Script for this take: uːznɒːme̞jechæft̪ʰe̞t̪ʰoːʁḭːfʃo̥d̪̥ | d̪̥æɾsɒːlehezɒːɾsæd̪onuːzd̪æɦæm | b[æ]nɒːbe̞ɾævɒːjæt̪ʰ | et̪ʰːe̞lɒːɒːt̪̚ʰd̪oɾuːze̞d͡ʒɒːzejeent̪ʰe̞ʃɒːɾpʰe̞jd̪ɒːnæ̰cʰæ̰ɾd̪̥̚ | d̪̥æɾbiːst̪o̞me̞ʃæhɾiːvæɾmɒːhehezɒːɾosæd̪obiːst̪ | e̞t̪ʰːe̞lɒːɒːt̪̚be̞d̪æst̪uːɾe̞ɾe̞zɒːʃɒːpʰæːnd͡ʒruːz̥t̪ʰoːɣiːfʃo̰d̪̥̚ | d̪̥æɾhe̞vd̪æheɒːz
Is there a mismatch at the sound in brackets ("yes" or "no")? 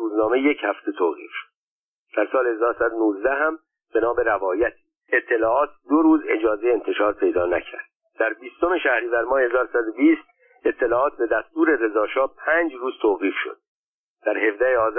yes